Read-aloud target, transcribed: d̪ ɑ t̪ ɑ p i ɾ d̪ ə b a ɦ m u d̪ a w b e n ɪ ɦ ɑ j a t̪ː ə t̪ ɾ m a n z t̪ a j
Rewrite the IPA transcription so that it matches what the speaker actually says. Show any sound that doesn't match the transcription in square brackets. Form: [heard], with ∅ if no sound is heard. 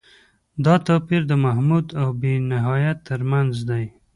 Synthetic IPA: d̪ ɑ t̪ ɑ p i ɾ d̪ ə [m] a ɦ m u d̪ a w b e n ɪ ɦ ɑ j a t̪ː ə [∅] ɾ m a n z [d̪] a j